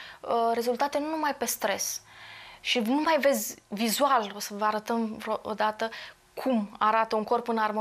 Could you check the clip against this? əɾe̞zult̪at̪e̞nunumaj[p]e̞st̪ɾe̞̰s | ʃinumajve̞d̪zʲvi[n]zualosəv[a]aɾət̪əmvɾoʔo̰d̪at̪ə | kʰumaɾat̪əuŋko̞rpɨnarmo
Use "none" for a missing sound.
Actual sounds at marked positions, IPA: p, none, ə

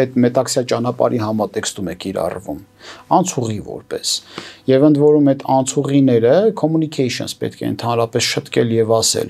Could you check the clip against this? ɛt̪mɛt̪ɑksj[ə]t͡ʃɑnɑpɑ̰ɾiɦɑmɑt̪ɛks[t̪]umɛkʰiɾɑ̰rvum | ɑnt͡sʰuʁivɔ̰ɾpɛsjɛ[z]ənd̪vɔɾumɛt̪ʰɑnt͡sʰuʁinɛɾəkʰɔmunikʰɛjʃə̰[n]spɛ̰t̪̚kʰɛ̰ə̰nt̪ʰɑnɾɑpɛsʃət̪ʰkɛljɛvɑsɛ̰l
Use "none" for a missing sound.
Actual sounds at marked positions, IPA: ɑ, t̪, v, n

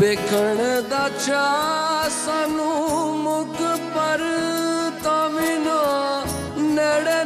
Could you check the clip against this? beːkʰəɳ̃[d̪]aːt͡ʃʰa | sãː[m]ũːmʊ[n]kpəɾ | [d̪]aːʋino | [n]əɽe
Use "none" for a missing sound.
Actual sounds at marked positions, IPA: d̪, n, none, t̪, n

